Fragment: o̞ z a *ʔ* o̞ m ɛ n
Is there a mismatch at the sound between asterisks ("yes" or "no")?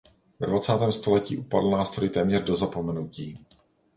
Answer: yes